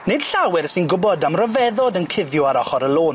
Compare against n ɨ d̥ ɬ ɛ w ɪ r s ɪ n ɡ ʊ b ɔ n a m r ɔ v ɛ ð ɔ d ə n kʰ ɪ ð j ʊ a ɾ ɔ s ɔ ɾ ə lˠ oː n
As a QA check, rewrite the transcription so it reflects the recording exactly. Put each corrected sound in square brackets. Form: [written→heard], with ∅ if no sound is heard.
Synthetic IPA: n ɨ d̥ ɬ [ɛ→a] w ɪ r s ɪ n ɡ ʊ b ɔ [n→d] a m r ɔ v ɛ ð ɔ d ə n kʰ ɪ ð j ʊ a ɾ ɔ [s→χ] ɔ ɾ ə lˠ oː n